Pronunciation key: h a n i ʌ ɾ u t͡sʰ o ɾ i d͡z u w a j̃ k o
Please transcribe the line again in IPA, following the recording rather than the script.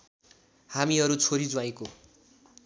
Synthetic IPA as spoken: h a m i ʌ ɾ u t͡sʰ o ɾ i d͡z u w a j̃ k o